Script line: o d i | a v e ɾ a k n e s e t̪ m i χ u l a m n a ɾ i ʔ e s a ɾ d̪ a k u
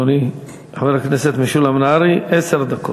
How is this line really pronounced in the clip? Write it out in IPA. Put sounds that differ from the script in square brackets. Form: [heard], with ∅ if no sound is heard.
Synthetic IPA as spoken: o [n] i | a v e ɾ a k n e s e t̪ m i [ʃ] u l a m n a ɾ i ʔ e s [e] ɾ d̪ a k [o]